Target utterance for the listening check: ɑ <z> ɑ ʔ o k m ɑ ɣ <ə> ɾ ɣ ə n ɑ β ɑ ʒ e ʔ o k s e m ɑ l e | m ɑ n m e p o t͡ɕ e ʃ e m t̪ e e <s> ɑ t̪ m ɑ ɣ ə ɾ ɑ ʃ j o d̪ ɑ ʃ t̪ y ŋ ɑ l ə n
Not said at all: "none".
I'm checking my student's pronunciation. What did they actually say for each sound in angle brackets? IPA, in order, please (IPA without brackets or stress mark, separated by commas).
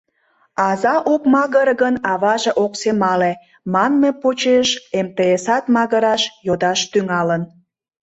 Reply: z, ə, s